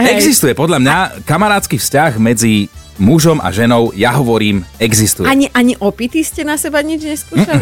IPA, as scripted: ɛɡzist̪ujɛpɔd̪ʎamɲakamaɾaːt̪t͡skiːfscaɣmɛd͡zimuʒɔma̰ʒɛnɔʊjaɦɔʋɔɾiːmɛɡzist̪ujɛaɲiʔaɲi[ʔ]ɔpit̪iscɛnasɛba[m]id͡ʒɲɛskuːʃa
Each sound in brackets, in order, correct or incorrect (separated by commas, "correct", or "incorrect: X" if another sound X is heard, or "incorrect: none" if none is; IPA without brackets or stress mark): correct, incorrect: ɲ